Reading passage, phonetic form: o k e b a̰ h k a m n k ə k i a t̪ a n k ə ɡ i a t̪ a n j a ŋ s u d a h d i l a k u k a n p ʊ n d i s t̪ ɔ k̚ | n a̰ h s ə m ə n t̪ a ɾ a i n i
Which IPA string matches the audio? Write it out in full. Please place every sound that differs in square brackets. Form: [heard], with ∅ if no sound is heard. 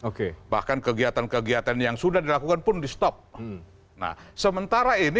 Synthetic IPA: o k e b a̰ h k a [∅] n k ə [ɡ] i a t̪ a n k ə ɡ i a t̪ a n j a ŋ s u d a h d i l a k u k a n p ʊ n d i s t̪ ɔ [p̚] | n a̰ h s ə m ə n t̪ a ɾ a i n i